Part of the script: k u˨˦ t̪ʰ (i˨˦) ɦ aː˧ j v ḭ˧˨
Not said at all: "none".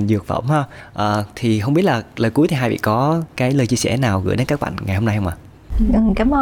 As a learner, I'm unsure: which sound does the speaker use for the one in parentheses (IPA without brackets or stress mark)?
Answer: i˨˩